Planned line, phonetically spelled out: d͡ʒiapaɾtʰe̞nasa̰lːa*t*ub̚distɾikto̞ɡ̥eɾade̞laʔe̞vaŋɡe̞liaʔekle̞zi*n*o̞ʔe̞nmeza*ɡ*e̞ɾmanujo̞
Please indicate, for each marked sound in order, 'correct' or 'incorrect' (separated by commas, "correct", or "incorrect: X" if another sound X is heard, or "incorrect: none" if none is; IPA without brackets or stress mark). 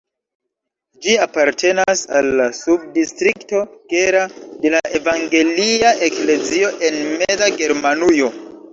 incorrect: s, incorrect: none, correct